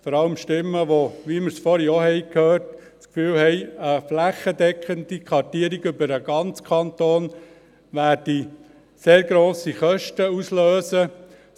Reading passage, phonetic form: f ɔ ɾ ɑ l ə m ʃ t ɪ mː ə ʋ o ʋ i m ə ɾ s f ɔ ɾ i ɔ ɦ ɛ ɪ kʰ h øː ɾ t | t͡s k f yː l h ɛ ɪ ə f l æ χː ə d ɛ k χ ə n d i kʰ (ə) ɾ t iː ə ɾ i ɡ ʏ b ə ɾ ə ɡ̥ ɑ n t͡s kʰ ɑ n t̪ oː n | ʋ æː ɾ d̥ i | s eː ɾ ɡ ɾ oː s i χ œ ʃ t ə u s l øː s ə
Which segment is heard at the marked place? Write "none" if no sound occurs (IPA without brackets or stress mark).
ɑ